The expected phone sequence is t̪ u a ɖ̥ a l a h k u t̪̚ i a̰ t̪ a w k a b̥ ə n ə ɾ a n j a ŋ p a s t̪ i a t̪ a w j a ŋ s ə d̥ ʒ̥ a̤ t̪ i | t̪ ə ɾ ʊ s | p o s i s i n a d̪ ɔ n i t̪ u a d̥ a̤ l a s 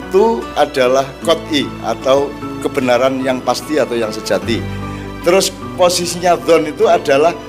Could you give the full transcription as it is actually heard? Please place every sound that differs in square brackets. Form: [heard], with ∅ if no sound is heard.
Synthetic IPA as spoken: t̪ u a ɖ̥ a l a h k [ɔ] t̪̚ i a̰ t̪ a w k [ə] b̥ ə n [a] ɾ a n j a ŋ p a s t̪ i a t̪ a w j a ŋ s ə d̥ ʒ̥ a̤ t̪ i | t̪ ə ɾ ʊ s | p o s i s i [ɲ] a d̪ ɔ n i t̪ u a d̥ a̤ l a [h]